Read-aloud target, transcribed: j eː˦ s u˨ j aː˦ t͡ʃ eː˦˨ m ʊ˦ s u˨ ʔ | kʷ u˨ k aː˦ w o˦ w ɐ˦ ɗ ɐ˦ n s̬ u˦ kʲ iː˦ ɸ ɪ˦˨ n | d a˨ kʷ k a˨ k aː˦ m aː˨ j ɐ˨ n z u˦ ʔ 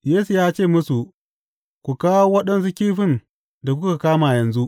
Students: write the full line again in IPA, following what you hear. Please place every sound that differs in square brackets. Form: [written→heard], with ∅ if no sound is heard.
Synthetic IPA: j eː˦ s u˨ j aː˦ t͡ʃ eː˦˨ m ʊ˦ s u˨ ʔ | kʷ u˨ k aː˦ w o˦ w ɐ˦ ɗ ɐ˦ n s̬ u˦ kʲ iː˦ ɸ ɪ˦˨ n | d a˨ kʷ k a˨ k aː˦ m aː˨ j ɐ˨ n z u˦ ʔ